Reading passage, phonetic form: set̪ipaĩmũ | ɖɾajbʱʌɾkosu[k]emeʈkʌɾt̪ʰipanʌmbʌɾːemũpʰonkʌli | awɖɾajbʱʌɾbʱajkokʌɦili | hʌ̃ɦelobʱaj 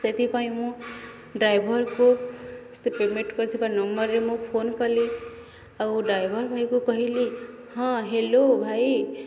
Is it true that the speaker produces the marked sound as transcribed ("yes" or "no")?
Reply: no